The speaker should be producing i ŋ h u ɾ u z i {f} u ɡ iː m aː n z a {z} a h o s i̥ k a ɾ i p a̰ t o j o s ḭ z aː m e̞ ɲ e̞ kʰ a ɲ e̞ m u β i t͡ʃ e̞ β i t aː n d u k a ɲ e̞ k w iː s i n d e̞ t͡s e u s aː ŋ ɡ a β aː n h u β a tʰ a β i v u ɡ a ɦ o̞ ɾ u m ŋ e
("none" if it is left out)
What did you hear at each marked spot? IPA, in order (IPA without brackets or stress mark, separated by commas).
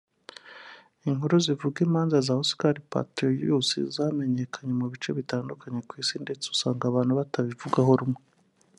v, z